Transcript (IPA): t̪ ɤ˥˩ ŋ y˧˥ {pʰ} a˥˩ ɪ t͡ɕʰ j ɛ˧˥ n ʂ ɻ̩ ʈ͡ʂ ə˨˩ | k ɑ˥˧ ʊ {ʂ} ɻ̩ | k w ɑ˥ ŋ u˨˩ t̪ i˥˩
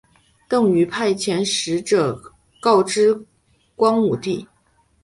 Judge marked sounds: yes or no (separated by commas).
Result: yes, no